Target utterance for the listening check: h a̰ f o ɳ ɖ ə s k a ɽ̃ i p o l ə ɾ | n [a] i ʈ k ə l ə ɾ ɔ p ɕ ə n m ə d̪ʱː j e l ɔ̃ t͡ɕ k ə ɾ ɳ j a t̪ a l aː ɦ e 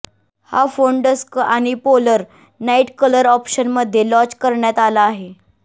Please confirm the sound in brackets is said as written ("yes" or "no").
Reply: yes